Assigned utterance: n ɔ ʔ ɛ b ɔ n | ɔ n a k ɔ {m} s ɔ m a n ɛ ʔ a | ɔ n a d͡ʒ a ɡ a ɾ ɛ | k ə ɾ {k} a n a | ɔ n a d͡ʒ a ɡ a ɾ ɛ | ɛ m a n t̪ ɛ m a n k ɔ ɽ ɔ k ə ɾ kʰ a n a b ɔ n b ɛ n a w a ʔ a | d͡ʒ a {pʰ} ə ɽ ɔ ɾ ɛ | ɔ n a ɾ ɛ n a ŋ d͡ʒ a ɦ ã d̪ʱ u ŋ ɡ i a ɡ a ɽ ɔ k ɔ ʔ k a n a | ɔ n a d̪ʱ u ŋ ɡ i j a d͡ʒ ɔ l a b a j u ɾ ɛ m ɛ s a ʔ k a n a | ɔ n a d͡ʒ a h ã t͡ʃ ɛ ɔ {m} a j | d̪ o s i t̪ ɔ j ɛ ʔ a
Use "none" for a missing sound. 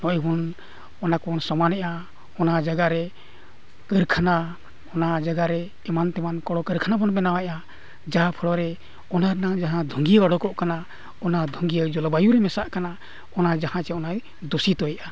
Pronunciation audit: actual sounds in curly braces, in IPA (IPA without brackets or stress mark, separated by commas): n, kʰ, pʰ, n